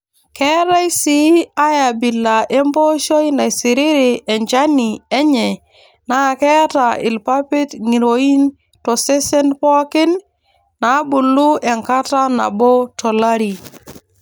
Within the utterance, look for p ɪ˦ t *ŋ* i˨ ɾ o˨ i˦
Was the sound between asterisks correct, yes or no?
yes